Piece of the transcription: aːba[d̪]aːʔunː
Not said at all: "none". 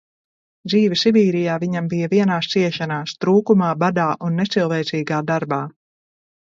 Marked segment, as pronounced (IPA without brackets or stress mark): d̪